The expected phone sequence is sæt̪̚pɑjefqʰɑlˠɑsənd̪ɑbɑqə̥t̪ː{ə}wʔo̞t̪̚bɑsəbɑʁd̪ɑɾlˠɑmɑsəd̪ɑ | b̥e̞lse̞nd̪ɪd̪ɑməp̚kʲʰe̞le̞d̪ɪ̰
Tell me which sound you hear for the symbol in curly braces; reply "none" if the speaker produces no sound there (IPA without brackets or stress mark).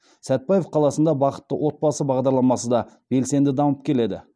ə